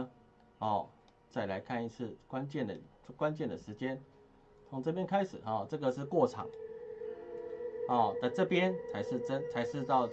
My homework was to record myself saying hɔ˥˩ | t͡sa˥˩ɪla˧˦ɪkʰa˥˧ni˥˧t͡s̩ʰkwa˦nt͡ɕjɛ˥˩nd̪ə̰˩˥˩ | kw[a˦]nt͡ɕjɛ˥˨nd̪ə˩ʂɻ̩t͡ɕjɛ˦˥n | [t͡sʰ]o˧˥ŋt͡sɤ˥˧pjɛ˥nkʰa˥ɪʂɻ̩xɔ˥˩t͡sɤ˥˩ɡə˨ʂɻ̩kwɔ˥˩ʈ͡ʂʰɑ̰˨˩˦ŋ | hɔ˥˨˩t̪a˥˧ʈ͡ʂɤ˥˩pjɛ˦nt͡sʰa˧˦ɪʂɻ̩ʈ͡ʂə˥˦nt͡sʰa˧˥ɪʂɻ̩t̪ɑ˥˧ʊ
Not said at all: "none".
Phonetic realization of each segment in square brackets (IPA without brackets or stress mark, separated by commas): a˦, t͡sʰ